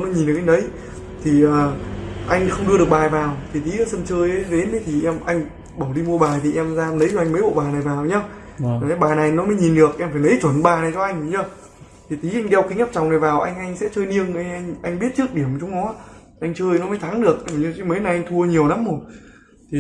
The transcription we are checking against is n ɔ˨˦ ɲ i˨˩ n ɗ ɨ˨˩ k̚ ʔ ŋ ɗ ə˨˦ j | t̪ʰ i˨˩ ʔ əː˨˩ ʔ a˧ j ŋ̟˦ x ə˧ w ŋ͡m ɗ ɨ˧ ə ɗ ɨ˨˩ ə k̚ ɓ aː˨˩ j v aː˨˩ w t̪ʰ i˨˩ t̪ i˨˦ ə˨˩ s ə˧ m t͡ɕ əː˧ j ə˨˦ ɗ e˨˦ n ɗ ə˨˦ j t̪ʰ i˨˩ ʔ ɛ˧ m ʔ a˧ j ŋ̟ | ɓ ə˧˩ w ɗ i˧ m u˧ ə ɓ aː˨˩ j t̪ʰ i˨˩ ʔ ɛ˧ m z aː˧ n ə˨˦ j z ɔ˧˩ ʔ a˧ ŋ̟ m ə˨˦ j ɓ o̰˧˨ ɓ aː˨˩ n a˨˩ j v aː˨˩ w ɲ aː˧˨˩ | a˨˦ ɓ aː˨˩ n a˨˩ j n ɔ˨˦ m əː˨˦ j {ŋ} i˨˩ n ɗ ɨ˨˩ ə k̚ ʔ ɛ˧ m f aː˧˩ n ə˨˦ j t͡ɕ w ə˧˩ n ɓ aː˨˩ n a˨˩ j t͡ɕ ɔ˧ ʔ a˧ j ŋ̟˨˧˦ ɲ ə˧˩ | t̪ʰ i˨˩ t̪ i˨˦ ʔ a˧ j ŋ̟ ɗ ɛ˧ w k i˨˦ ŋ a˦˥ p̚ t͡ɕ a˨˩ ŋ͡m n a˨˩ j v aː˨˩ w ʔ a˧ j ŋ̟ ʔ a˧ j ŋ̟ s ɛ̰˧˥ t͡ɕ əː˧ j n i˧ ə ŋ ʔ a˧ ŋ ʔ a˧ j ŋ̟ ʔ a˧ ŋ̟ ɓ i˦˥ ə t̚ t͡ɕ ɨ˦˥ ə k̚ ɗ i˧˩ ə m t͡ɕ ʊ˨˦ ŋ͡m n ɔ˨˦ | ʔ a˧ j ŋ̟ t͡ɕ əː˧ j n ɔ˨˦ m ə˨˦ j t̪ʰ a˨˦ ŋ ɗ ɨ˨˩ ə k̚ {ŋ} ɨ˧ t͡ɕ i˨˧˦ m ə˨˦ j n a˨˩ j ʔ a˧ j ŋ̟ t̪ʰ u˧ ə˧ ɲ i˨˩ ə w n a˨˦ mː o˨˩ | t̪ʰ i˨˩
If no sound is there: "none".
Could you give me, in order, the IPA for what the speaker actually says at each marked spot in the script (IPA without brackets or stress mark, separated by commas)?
ɲ, ɲ